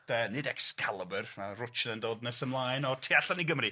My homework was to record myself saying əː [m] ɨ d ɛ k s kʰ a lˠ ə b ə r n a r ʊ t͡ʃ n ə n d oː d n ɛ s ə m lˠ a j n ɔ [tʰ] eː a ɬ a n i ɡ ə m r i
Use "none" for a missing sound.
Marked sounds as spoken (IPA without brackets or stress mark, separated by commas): n, tʰ